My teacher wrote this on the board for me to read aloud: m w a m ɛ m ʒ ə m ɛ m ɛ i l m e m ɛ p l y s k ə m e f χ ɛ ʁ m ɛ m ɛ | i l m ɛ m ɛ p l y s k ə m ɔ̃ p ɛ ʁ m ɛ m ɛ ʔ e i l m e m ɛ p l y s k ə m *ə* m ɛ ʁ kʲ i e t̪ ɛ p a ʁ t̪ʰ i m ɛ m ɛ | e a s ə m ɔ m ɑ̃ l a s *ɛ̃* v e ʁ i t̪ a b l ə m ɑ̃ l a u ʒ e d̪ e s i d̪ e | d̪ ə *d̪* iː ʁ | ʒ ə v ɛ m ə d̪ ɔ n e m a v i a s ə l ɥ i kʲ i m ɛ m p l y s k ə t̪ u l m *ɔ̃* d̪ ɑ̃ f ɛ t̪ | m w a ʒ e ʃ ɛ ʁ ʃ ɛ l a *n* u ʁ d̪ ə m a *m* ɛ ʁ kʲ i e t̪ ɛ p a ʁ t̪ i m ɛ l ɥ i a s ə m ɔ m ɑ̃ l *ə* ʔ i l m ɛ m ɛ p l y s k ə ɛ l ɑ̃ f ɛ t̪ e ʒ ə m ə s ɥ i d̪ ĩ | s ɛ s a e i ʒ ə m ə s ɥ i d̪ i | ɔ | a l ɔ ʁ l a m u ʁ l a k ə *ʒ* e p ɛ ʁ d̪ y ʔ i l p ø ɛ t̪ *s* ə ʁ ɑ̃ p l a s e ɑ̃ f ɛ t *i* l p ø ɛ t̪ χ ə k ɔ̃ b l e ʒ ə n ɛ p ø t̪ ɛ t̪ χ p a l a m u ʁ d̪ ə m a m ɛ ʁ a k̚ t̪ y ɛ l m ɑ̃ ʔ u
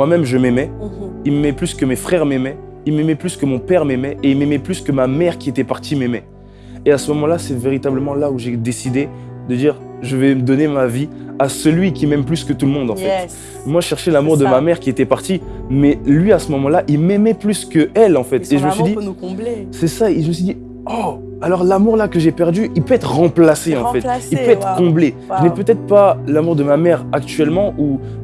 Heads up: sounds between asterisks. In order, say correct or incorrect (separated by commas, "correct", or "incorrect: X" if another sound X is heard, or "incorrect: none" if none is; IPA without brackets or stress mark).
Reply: incorrect: a, incorrect: ɛ, correct, correct, incorrect: m, correct, incorrect: a, correct, incorrect: χ, correct